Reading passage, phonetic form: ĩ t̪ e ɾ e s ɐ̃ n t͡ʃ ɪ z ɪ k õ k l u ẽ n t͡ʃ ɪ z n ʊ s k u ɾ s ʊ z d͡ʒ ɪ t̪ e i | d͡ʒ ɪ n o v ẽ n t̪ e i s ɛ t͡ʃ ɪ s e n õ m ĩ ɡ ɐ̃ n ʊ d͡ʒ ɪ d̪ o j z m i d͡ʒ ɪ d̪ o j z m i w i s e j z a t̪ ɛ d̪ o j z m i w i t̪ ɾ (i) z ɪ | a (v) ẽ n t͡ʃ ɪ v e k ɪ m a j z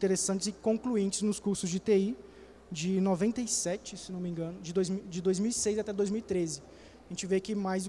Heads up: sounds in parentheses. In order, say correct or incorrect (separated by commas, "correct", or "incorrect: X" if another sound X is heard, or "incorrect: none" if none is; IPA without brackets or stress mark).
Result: incorrect: e, incorrect: ʒ